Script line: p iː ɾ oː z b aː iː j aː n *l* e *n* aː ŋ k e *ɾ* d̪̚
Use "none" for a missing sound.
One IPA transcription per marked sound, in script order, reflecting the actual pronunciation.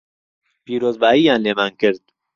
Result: l, m, ɾ

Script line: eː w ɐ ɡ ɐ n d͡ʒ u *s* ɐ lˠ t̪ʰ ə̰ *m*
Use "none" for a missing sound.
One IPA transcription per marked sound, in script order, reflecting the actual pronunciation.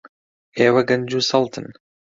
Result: s, n

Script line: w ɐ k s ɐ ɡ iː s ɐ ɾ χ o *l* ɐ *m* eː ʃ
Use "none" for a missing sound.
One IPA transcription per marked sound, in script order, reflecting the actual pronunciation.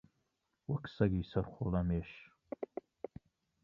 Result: l, m

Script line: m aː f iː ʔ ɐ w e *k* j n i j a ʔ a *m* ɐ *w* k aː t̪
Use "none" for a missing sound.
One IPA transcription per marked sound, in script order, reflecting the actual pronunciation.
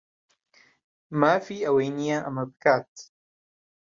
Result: none, m, b

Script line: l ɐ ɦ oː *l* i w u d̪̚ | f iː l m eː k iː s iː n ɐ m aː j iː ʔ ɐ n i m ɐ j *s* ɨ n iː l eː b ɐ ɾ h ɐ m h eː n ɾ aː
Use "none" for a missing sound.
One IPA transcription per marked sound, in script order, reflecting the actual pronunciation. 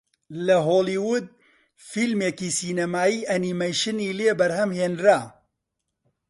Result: l, ʃ

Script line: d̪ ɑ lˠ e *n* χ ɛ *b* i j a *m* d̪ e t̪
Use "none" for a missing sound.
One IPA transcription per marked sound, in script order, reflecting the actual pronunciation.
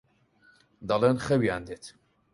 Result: n, w, n

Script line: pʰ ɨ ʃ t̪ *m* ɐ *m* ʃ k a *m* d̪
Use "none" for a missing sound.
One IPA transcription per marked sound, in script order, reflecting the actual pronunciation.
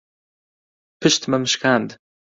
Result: m, m, n

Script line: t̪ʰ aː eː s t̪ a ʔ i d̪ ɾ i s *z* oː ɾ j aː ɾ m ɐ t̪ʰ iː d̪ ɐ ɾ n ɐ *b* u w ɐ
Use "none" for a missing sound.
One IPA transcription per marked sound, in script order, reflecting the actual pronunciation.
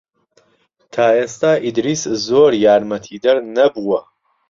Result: z, b

